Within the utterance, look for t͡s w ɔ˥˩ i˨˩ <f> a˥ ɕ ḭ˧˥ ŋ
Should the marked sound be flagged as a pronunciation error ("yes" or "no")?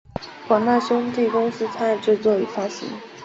no